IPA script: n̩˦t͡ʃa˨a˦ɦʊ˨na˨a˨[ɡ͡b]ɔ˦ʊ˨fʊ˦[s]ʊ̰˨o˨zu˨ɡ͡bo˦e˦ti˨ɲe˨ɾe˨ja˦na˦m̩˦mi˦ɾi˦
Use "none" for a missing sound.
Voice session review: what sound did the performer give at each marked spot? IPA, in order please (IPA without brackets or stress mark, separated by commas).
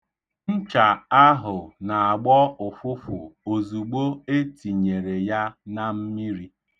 ɡ͡b, f